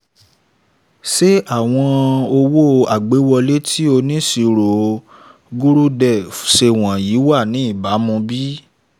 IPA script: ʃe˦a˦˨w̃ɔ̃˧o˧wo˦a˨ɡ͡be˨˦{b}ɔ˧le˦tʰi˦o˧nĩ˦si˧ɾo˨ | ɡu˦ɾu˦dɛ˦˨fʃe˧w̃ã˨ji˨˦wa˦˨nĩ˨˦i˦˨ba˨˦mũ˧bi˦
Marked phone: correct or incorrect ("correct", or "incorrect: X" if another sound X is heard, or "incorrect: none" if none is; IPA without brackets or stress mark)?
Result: incorrect: w